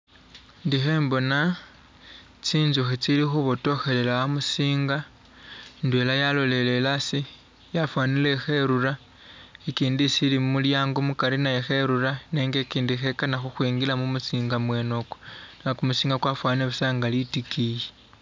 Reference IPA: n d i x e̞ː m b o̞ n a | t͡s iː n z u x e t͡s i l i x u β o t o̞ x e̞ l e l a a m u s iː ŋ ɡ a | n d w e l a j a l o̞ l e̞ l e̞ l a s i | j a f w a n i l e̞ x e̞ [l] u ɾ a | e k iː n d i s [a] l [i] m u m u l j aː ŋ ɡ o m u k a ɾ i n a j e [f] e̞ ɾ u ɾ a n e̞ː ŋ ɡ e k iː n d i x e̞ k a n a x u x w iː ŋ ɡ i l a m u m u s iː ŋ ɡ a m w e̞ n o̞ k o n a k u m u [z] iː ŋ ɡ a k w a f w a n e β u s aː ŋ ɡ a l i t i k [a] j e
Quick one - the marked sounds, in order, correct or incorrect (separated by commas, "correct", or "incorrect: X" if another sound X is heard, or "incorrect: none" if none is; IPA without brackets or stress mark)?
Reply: incorrect: ɾ, incorrect: i, correct, incorrect: x, incorrect: s, incorrect: i